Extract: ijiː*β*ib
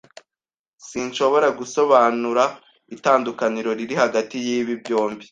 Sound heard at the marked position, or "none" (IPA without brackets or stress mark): β